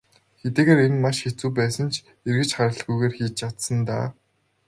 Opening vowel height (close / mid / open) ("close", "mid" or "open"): mid